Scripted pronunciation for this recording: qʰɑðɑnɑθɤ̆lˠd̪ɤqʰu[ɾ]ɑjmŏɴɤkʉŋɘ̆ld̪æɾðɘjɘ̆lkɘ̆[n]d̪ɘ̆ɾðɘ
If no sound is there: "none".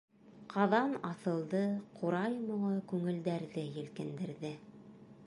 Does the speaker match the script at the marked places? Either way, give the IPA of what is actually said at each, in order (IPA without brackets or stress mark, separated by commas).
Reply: ɾ, n